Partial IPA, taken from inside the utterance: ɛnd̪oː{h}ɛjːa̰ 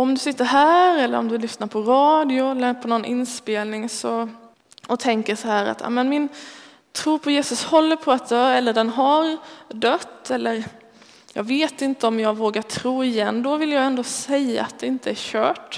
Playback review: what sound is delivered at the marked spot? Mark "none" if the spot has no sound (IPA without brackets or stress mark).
s